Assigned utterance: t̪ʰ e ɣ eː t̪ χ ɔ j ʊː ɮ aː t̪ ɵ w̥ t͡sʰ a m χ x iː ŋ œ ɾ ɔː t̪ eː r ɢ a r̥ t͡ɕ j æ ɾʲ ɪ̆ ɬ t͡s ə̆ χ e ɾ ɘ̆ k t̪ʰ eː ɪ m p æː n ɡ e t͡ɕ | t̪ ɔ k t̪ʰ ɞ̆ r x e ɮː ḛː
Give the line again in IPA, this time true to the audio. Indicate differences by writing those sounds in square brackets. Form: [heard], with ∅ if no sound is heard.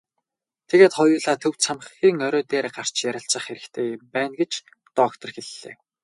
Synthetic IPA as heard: t̪ʰ e ɣ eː t̪ χ ɔ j ʊː ɮ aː [t̪ʰ] ɵ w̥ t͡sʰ a m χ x iː ŋ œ ɾ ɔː t̪ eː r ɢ a r̥ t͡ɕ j æ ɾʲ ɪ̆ ɬ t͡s ə̆ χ e ɾ ɘ̆ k t̪ʰ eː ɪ m p æː n ɡ e t͡ɕ | t̪ ɔ k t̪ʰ ɞ̆ r x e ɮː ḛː